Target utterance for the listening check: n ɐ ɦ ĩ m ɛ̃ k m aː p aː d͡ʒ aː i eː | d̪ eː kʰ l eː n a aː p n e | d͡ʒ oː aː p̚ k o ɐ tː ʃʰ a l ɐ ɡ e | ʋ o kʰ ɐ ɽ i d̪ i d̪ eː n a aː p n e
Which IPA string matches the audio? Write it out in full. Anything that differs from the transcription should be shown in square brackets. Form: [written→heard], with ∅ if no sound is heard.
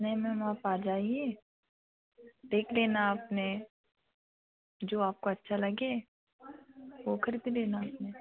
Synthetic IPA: n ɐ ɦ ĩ m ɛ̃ [k→∅] m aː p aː d͡ʒ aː i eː | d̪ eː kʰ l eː n a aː p n e | d͡ʒ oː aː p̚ k o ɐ tː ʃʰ a l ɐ ɡ e | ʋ o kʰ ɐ [ɽ→ɾ] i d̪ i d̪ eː n a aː p n e